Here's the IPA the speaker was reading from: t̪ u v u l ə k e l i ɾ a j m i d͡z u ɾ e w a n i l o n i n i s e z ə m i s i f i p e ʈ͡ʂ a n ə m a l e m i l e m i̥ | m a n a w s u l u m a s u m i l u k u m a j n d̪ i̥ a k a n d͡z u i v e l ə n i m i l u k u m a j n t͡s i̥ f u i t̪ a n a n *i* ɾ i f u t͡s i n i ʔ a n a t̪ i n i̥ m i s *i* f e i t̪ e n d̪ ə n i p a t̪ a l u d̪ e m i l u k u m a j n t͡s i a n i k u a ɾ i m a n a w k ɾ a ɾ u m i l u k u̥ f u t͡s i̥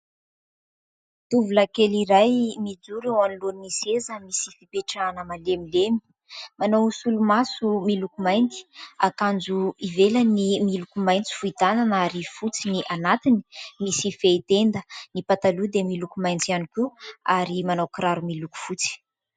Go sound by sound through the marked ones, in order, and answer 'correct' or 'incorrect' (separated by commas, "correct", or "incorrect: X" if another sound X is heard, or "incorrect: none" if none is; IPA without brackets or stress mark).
incorrect: a, correct